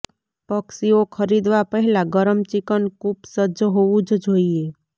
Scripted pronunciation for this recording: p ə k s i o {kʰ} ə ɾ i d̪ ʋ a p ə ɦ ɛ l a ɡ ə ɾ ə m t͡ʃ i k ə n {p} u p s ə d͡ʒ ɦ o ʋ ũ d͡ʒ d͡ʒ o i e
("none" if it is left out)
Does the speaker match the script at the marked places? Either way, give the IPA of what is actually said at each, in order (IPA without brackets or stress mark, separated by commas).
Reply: kʰ, k